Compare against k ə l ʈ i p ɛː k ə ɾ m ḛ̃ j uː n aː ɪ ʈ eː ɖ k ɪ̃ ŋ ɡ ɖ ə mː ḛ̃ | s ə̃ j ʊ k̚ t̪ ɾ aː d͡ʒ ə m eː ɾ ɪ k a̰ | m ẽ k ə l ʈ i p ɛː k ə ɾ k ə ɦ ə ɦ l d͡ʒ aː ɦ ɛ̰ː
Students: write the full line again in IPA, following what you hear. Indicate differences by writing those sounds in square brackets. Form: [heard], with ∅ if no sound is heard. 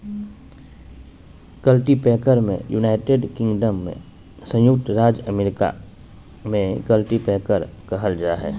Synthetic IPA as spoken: k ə l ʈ i p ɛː k ə ɾ m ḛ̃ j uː n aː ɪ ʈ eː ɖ k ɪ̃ ŋ ɡ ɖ ə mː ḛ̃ | s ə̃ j ʊ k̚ t̪ ɾ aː d͡ʒ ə m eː ɾ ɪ k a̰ | m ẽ k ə l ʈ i p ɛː k ə ɾ k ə ɦ ə [∅] l d͡ʒ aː ɦ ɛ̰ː

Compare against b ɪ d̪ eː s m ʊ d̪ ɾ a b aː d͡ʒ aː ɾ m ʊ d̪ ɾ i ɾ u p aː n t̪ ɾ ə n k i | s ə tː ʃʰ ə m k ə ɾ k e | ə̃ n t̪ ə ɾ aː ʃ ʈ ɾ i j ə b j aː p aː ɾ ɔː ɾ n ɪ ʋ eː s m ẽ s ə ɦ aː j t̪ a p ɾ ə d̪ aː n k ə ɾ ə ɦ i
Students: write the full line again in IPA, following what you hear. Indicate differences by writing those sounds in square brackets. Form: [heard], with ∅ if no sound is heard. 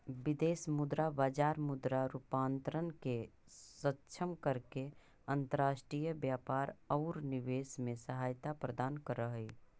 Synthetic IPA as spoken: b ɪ d̪ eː s m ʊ d̪ ɾ a b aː d͡ʒ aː ɾ m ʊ d̪ ɾ [a] ɾ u p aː n t̪ ɾ ə n k [e] | s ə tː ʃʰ ə m k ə ɾ k e | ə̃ n t̪ ə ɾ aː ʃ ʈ ɾ i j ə b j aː p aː ɾ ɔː ɾ n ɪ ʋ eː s m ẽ s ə ɦ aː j t̪ a p ɾ ə d̪ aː n k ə ɾ ə ɦ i

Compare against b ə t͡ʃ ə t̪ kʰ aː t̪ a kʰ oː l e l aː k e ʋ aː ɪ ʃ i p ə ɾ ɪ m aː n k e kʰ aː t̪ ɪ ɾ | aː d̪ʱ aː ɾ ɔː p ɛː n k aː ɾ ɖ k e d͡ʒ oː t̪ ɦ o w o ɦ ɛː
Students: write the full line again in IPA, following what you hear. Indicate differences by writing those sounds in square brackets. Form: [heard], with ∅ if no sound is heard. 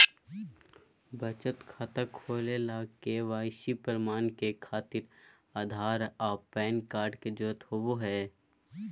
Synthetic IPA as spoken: b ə t͡ʃ ə t̪ kʰ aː t̪ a kʰ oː l e l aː k e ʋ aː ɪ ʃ i p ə ɾ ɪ m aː n k e kʰ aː t̪ ɪ ɾ | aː d̪ʱ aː ɾ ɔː p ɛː n k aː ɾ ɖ k e d͡ʒ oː t̪ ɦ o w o ɦ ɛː

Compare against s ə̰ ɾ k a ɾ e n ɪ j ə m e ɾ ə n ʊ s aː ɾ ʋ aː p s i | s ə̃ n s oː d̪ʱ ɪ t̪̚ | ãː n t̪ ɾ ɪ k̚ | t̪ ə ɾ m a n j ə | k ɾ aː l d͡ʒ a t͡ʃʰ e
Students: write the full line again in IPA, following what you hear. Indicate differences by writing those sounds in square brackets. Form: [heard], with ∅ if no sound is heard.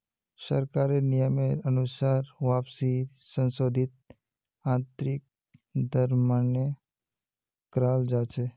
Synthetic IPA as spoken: s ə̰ ɾ k a ɾ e n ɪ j ə m e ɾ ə n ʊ s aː ɾ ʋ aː p s i | s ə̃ n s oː d̪ʱ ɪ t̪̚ | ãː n t̪ ɾ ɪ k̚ | [d̪] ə ɾ m a n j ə | k ɾ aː l d͡ʒ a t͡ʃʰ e

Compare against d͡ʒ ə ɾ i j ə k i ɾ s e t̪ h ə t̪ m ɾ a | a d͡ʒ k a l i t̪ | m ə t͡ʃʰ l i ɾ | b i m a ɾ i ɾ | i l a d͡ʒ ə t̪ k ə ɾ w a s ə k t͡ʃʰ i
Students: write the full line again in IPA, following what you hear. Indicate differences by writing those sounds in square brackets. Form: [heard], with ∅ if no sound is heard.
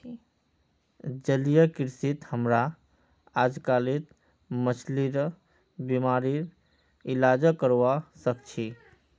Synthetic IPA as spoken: d͡ʒ ə [l] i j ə k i ɾ s [i] t̪ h ə [∅] m ɾ a | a d͡ʒ k a l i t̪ | m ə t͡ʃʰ l i ɾ | b i m a ɾ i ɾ | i l a d͡ʒ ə [∅] k ə ɾ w a s ə k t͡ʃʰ i

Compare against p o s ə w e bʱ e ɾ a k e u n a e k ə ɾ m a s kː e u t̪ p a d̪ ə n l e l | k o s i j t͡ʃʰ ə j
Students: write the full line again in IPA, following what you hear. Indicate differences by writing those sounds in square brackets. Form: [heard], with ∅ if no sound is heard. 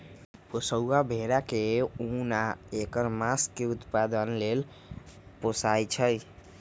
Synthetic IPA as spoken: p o s ə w [a] bʱ e ɾ a k e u n a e k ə ɾ m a s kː e u t̪ p a d̪ ə n l e l | [p] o s [a] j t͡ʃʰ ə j

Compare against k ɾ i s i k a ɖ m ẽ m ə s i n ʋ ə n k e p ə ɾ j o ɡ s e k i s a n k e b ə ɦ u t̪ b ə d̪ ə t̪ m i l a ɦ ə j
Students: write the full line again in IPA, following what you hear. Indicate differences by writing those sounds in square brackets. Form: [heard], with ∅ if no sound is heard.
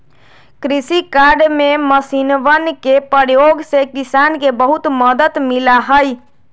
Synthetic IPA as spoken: k ɾ i s i k a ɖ m [e] m ə s i n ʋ ə n k e p ə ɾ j o ɡ s e k i s a n k e b ə ɦ u t̪ [m] ə d̪ ə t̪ m i l a ɦ ə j

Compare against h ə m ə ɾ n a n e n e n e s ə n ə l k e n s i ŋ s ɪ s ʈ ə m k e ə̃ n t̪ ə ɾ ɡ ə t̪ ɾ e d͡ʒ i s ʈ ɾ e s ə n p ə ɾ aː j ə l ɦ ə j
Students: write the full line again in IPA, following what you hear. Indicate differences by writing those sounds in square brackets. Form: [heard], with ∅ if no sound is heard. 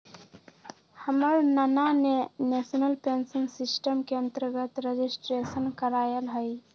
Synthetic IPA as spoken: h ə m ə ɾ n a n [a] n e n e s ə n ə l [p] e n s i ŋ s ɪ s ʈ ə m k e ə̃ n t̪ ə ɾ ɡ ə t̪ ɾ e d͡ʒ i s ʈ ɾ e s ə n [k] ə ɾ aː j ə l ɦ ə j

